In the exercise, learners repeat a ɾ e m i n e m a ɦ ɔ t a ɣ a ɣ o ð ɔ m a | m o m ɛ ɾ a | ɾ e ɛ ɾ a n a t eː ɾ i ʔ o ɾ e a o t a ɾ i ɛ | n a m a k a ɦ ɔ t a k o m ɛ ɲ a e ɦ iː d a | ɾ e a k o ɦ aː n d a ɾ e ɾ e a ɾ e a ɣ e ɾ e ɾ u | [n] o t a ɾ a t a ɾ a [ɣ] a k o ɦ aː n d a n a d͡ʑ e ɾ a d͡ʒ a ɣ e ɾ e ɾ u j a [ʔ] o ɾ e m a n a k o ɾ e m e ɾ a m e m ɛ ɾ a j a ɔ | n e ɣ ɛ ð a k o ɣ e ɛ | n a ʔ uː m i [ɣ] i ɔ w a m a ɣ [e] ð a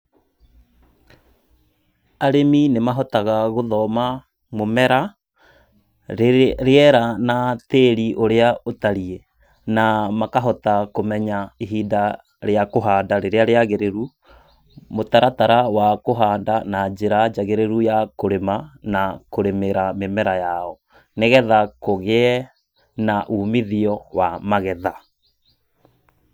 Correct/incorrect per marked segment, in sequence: incorrect: m, incorrect: w, incorrect: k, incorrect: ð, incorrect: ɛ

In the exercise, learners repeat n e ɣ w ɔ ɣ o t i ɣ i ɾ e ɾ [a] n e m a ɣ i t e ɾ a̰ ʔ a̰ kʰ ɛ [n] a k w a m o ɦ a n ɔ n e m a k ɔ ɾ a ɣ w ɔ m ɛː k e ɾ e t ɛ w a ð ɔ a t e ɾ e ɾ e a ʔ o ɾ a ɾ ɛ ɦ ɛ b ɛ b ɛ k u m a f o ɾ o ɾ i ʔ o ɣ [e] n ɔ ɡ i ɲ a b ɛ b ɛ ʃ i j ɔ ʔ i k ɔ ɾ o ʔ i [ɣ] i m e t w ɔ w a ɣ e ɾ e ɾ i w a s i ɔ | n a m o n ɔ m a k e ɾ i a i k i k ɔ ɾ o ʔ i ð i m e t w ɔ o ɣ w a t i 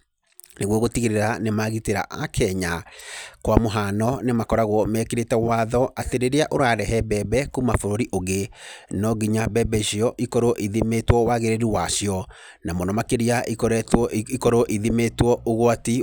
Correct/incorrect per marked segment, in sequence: correct, incorrect: ɲ, correct, incorrect: ð

